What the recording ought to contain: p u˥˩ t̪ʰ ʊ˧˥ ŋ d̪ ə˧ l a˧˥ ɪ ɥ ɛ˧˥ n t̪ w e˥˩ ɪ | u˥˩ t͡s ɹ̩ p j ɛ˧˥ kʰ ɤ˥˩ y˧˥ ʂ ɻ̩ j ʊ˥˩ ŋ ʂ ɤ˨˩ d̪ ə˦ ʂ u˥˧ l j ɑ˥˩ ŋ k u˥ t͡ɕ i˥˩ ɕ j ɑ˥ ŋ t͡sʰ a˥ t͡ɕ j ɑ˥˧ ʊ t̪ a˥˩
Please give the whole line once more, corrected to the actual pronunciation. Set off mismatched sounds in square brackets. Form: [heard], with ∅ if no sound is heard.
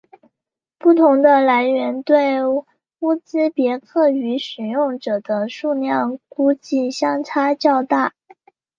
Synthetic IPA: p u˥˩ t̪ʰ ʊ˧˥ ŋ d̪ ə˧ l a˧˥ ɪ ɥ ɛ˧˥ n t̪ w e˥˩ ɪ | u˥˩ t͡s ɹ̩ p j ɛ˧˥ kʰ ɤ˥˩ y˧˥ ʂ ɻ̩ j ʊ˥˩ ŋ [ʈ͡ʂ] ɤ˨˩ d̪ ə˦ ʂ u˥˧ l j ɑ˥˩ ŋ k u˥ t͡ɕ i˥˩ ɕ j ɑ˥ ŋ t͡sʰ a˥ t͡ɕ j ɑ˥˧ ʊ t̪ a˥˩